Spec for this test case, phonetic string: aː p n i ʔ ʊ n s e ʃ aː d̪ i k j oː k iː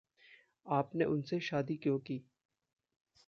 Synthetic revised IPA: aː p n e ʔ ʊ n s e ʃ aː d̪ i k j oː k iː